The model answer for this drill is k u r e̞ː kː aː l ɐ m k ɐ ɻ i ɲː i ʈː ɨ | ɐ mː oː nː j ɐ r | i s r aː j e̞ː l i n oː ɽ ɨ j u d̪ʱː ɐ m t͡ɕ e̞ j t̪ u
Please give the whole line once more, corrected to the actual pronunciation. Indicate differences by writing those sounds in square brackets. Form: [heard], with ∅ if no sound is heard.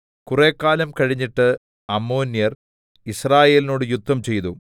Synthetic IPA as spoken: k u r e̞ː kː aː l ɐ m k ɐ ɻ i ɲː i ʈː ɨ | ɐ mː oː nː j ɐ r | i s r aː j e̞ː l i n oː ɽ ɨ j u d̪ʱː ɐ m t͡ɕ e̞ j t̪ u